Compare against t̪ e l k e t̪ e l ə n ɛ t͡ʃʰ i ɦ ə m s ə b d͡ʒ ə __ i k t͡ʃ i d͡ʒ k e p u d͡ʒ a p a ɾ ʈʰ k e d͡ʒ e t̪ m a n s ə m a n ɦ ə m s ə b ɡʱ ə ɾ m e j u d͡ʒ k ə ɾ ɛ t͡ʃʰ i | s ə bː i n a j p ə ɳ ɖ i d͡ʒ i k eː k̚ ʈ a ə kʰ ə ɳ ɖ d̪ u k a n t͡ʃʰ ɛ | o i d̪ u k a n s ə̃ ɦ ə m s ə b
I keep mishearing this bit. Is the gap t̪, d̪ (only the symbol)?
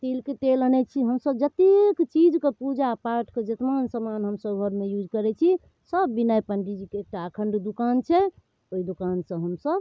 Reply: t̪